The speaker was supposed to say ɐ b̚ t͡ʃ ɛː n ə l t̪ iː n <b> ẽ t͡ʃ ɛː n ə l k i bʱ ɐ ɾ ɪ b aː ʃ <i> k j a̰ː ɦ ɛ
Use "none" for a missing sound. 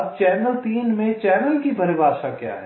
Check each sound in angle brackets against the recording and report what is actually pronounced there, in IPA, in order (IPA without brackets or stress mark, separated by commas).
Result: m, a